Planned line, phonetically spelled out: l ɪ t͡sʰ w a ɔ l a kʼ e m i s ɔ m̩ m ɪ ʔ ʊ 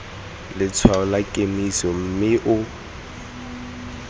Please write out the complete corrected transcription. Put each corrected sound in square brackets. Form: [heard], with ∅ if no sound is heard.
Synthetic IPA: l ɪ t͡sʰ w a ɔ l a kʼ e m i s ɔ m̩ m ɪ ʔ ʊ